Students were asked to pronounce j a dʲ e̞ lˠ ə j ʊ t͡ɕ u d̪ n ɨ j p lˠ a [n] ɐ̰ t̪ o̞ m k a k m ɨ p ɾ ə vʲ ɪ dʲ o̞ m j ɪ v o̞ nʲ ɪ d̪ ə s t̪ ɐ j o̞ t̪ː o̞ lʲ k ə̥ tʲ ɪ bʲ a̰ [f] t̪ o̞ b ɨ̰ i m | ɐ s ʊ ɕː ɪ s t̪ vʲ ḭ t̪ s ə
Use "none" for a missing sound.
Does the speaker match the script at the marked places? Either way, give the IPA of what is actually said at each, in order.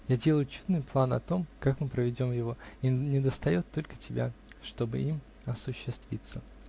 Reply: n, ʂ

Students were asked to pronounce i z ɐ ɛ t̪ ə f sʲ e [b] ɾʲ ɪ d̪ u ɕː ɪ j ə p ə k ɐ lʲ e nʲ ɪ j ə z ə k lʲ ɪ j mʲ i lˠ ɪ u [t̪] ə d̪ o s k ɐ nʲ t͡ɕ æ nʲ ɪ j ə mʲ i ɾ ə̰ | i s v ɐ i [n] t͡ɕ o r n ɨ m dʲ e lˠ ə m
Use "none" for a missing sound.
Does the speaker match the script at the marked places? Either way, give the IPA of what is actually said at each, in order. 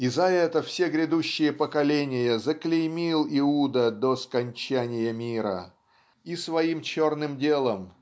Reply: ɡ, d̪, m

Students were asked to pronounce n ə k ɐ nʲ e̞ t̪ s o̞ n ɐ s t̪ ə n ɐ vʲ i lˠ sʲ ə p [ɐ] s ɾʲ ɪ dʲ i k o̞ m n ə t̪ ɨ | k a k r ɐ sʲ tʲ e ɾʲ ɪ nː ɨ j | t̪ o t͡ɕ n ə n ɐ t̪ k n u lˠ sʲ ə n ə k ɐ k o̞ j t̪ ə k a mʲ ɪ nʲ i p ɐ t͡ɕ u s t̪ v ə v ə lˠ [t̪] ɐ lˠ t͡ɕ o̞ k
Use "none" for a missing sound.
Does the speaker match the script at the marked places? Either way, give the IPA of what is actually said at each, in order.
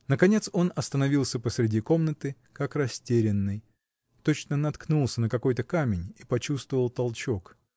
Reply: ə, t̪

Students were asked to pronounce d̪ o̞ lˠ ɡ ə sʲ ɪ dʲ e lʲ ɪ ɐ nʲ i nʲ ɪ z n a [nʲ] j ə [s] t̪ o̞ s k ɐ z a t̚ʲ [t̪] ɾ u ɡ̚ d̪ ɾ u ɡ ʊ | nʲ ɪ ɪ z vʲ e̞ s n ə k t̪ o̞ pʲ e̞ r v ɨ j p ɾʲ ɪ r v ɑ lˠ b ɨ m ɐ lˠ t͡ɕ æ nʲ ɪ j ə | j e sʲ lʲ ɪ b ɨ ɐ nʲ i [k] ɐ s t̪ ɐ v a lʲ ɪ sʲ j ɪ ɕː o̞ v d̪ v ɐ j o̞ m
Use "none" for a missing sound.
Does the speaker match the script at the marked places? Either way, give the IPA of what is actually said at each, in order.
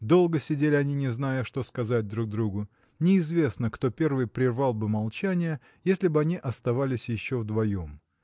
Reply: none, ʂ, d̪, ʔ

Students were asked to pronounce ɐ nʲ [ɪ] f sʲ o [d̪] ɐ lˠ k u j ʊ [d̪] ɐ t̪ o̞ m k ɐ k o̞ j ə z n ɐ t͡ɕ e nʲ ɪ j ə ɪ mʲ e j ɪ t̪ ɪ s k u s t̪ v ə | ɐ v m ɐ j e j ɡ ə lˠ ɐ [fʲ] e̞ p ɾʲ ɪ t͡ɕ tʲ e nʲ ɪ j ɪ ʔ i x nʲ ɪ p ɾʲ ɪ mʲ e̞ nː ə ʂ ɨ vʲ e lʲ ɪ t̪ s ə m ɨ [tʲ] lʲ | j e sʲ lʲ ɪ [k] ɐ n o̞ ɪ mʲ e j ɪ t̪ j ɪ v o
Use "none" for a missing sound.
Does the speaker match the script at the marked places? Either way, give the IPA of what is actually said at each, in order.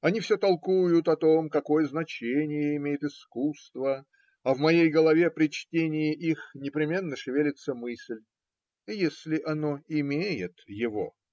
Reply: i, t̪, t̪, vʲ, sʲ, ʔ

